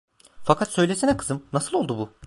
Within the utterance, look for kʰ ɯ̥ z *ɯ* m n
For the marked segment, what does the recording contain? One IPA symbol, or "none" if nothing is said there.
ɯ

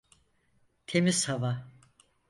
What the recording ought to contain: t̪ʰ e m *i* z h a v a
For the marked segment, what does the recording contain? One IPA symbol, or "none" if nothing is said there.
i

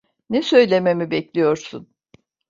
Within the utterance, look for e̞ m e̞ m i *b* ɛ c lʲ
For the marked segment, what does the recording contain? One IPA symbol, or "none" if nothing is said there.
b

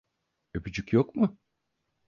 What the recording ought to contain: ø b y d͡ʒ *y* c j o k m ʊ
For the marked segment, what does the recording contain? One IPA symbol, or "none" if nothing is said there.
y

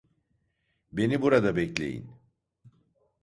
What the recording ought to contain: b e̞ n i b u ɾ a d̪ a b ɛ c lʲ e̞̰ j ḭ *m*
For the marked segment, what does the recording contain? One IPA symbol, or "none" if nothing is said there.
n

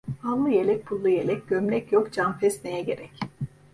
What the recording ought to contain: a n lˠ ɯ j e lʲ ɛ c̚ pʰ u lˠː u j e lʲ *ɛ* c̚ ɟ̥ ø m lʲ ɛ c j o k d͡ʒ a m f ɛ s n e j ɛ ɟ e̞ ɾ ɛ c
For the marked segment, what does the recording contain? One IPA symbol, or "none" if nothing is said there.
ɛ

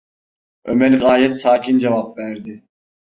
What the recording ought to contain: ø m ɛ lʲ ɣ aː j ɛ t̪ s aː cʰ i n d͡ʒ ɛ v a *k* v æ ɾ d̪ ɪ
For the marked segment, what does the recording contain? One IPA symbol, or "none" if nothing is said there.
p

